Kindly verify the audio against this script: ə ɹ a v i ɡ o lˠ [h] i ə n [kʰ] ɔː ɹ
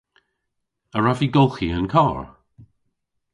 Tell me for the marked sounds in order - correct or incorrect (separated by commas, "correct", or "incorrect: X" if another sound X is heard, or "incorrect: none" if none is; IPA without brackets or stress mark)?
incorrect: x, correct